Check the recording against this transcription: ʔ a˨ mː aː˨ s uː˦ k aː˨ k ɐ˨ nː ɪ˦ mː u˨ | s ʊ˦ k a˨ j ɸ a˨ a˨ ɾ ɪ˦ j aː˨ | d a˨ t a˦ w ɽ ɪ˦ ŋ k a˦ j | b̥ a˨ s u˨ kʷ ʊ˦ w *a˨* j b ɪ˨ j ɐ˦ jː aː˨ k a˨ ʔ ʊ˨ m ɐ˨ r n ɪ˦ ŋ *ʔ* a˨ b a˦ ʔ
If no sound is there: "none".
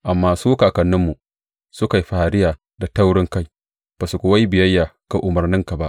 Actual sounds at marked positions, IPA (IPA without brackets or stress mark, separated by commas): a˦, k